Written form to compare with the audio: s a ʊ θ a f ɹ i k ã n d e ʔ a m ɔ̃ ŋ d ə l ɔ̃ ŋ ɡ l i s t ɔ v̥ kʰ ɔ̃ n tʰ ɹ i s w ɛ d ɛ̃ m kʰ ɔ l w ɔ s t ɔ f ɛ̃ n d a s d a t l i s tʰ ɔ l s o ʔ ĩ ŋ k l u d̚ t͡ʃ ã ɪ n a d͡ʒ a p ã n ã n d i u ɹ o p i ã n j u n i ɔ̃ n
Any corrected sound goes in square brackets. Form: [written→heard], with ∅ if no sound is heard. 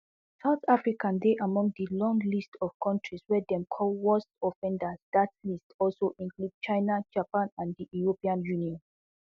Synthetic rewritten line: s a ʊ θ a f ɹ i k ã n d e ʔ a m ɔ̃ ŋ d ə l ɔ̃ ŋ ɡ l i s t ɔ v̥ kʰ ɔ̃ n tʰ ɹ i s w ɛ d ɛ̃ m kʰ ɔ l w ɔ s t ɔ f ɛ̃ n d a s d a t l i s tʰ ɔ l s o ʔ ĩ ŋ k l u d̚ t͡ʃ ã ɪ n a d͡ʒ a p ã n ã n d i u ɹ o p i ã n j u n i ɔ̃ n